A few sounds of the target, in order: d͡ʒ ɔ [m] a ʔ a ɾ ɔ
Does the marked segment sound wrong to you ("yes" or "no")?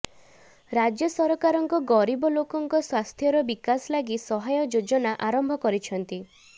yes